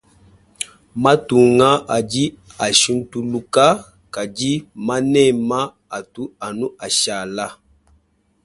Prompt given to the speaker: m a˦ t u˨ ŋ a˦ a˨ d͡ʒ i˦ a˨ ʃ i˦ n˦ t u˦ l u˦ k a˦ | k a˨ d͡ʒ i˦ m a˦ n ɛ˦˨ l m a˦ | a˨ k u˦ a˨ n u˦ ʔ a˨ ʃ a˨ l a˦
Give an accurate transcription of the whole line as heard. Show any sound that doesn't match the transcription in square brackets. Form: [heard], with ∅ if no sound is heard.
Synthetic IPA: m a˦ t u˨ ŋ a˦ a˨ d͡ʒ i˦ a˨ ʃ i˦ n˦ t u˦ l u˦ k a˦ | k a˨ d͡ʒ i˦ m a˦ n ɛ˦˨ [∅] m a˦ | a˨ [t] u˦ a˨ n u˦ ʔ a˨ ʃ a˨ l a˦